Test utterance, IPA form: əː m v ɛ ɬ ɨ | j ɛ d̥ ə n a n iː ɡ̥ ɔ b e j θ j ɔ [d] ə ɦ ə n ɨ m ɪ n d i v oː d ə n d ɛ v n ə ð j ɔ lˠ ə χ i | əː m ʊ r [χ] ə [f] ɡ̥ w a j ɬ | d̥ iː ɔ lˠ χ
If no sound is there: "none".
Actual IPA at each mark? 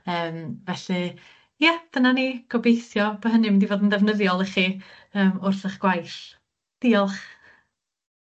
b, θ, χ

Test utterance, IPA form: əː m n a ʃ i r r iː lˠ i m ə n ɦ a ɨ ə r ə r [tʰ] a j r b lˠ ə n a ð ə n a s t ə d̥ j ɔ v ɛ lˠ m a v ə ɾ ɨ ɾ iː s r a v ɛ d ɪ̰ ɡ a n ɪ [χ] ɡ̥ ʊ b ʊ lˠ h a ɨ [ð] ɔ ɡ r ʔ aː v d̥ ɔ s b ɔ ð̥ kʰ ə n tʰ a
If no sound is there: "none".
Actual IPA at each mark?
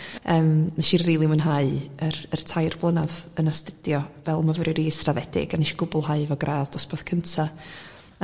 tʰ, ʃ, v

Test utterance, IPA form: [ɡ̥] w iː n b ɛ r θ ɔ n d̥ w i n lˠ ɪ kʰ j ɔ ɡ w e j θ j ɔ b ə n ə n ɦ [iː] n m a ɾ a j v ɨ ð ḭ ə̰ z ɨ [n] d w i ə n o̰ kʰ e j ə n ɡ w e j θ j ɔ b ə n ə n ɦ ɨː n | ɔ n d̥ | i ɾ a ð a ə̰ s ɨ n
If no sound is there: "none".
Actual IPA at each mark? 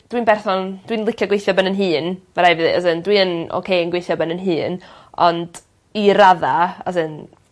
d̥, ɨː, n

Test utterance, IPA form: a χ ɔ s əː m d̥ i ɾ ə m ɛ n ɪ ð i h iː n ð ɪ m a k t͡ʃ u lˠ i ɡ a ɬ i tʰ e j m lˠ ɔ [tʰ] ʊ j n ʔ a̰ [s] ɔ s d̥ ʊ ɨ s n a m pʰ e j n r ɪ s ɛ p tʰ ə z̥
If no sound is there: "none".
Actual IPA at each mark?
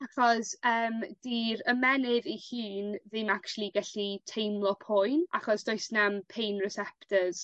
pʰ, χ

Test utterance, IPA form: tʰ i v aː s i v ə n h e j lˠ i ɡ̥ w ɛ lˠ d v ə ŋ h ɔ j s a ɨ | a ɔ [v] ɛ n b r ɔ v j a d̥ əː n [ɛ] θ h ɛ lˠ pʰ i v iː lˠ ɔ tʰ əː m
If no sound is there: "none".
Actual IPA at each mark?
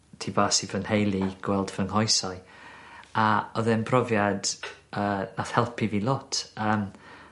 ð, a

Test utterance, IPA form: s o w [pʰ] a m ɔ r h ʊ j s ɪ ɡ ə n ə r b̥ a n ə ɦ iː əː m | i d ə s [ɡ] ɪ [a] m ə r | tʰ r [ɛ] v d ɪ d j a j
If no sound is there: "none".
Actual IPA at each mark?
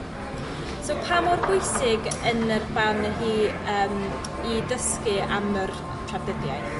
pʰ, k, a, a

